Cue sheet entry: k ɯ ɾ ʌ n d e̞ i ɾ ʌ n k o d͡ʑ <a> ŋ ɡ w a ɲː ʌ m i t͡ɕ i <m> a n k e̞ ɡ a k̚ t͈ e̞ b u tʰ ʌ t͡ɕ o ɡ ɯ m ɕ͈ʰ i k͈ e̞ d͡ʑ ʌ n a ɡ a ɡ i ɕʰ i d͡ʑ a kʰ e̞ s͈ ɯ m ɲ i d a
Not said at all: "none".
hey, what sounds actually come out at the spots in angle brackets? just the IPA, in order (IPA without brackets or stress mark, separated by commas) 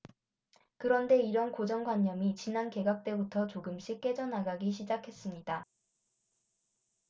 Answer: ʌ, n